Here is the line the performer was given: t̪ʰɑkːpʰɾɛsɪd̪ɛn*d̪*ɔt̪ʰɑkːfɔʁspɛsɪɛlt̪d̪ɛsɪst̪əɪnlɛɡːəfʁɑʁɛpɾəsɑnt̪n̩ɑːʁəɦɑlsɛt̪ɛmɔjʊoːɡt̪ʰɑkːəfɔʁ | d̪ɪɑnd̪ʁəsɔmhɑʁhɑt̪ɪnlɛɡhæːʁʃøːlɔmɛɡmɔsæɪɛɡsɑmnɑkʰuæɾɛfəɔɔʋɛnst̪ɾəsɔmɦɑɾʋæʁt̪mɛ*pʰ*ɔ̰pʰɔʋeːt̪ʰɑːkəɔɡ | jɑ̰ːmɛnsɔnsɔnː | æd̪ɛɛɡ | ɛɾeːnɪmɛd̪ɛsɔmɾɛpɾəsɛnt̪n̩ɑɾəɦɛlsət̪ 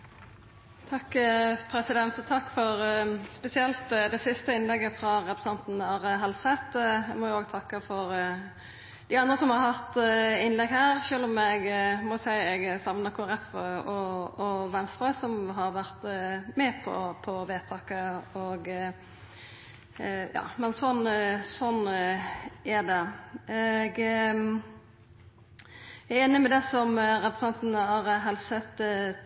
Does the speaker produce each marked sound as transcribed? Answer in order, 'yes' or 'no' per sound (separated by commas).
no, yes